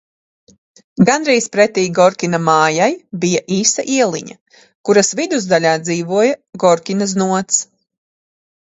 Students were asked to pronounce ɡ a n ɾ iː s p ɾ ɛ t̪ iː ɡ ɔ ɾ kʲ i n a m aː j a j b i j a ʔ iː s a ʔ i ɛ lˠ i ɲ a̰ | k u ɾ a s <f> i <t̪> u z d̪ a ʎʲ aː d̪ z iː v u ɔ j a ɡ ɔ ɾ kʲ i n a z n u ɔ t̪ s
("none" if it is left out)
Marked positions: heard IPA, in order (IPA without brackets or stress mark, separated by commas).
v, d̪